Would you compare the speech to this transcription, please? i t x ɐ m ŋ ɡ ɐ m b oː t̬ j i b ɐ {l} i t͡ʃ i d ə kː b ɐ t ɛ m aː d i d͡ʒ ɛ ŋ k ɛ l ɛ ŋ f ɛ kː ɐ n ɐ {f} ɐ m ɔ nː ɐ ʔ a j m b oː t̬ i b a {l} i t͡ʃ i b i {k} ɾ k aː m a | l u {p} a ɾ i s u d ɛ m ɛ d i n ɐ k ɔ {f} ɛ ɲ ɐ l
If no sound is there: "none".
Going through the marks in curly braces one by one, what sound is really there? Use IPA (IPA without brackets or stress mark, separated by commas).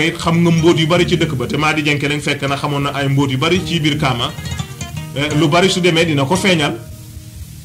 ɾ, x, ɾ, none, b, f